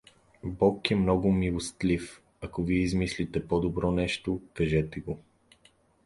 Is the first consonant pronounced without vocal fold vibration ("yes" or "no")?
no